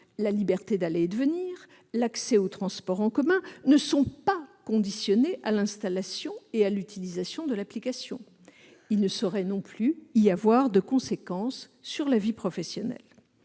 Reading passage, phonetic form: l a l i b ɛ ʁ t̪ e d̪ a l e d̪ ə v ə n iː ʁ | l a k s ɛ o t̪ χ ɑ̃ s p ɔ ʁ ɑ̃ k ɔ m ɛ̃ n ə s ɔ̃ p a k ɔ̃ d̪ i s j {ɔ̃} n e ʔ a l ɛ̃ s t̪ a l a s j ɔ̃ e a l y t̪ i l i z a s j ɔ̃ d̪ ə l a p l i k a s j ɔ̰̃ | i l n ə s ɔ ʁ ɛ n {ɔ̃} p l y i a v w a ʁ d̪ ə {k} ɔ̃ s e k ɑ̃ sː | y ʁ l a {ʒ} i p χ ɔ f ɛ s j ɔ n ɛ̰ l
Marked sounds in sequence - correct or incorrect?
incorrect: ɔ, correct, correct, incorrect: v

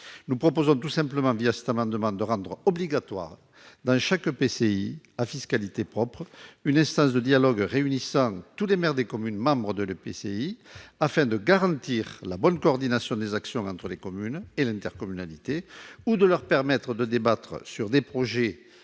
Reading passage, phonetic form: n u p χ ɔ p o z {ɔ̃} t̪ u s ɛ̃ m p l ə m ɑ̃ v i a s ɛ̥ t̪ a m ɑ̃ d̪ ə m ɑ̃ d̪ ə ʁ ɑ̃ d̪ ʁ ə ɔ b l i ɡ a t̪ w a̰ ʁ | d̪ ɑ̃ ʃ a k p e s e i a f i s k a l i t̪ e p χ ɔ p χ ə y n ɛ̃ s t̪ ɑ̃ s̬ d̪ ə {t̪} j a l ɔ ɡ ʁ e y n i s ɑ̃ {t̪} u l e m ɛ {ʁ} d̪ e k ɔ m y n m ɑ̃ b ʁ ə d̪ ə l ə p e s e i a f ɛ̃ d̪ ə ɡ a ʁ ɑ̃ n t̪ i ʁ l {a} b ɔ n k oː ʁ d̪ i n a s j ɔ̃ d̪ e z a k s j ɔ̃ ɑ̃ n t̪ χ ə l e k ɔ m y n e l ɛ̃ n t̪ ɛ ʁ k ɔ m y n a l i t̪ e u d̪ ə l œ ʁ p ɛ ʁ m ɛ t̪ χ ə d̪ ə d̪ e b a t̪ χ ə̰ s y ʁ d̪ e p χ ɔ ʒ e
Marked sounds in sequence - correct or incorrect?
correct, incorrect: d̪, correct, correct, correct

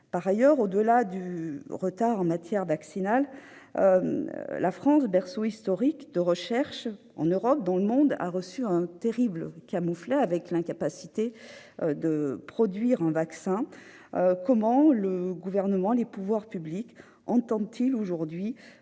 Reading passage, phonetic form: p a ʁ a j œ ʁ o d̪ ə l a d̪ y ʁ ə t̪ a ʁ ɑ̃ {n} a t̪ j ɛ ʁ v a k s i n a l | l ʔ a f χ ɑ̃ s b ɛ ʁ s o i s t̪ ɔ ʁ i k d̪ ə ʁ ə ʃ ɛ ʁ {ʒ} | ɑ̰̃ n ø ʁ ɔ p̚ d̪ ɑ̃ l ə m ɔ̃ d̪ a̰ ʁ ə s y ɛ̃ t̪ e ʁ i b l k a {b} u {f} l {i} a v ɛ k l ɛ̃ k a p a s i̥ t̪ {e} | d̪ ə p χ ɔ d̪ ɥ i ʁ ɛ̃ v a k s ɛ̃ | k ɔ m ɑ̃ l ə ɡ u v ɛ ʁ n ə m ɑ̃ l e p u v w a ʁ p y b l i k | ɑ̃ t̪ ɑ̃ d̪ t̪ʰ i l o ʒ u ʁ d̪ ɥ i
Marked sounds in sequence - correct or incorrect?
incorrect: m, incorrect: ʃ, incorrect: m, correct, incorrect: ɛ, correct

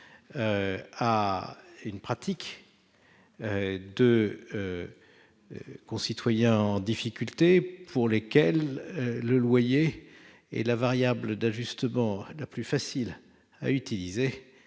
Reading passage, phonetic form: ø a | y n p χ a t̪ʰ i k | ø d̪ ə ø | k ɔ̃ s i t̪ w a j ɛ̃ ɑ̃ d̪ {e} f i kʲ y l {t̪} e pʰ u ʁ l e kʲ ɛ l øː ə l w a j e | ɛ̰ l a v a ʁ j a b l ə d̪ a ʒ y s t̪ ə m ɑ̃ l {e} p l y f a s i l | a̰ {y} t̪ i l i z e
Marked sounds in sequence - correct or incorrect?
incorrect: i, correct, incorrect: a, correct

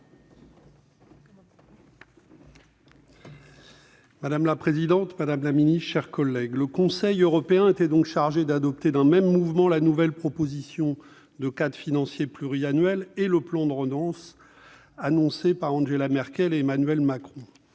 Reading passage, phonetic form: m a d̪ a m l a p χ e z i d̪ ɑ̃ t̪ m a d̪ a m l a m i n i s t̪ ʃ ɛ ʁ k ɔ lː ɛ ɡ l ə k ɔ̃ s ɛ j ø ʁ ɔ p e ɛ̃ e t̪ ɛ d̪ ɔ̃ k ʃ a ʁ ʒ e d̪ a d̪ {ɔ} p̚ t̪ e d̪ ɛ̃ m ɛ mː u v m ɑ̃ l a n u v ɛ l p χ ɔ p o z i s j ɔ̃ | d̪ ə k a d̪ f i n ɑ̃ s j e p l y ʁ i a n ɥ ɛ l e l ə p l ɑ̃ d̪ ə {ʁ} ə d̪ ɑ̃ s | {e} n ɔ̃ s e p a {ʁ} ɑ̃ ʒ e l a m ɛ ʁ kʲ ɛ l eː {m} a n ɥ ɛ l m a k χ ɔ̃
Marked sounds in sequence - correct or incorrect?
correct, correct, incorrect: a, correct, correct

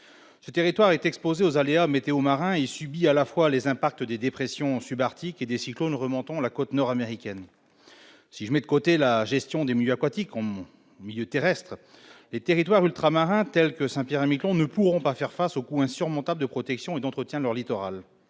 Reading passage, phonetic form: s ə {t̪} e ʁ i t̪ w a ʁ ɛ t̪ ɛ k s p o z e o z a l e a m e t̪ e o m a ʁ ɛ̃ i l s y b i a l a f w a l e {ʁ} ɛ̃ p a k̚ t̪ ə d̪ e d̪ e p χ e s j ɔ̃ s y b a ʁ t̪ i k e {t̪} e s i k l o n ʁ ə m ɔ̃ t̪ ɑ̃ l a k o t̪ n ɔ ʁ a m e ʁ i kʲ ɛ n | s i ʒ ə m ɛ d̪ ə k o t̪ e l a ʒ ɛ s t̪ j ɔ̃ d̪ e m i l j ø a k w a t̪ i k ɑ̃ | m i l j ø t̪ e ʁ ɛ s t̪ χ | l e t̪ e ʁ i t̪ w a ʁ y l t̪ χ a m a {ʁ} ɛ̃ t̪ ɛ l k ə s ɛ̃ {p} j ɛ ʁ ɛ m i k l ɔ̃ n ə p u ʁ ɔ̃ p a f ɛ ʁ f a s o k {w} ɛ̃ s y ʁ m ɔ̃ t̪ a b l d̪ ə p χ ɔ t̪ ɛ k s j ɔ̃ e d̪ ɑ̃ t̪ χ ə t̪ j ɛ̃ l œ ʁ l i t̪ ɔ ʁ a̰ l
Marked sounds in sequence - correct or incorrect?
correct, incorrect: z, incorrect: d̪, correct, correct, incorrect: u

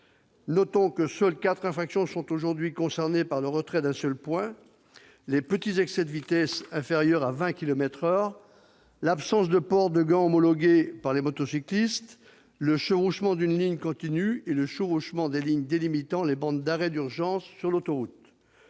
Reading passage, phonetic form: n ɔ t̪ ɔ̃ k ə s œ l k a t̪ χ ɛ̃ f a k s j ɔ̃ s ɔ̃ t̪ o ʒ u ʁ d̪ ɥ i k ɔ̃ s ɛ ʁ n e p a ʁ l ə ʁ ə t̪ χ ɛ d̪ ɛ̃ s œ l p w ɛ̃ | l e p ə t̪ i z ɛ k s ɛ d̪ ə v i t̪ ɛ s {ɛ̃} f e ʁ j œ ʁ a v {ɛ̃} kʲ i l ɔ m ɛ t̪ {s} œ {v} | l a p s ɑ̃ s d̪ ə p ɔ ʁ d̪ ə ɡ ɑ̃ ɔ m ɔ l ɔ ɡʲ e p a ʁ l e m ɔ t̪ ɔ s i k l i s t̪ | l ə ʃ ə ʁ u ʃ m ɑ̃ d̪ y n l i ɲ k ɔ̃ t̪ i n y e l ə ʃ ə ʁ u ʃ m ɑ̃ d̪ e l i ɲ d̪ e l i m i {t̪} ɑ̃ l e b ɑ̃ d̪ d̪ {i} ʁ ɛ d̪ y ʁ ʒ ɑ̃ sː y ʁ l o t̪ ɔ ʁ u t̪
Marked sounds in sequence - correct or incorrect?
correct, correct, incorrect: χ, incorrect: ʁ, correct, incorrect: a

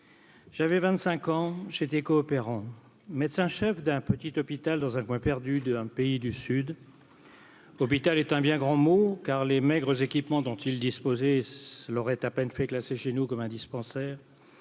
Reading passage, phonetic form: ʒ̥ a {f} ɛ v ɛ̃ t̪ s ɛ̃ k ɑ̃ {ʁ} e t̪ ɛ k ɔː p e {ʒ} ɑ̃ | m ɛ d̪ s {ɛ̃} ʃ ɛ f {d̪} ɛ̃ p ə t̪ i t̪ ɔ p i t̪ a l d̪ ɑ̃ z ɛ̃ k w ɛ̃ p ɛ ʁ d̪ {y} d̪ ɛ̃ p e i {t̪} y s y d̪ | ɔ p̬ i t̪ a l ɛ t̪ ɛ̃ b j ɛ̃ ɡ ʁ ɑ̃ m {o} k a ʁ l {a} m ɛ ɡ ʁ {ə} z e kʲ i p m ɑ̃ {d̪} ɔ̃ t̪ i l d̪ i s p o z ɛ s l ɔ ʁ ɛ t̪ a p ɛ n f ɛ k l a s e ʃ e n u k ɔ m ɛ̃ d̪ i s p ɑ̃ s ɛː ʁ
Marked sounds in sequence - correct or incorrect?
incorrect: v, incorrect: ʒ, incorrect: ʁ, correct, correct, correct, incorrect: d̪, correct, incorrect: e, correct, correct

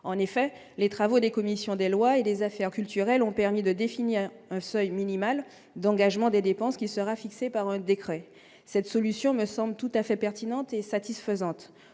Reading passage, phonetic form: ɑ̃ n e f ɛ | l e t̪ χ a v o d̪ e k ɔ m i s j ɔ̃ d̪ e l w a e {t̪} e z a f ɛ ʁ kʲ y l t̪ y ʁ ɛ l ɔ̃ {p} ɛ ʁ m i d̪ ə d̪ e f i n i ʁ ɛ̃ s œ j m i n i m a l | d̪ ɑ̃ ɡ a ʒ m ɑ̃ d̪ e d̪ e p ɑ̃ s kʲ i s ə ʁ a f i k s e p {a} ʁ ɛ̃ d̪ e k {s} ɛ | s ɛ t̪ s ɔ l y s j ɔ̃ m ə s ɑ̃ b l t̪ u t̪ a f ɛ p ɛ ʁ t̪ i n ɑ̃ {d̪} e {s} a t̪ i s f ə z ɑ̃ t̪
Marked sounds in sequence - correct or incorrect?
incorrect: d̪, correct, correct, incorrect: χ, incorrect: t̪, correct

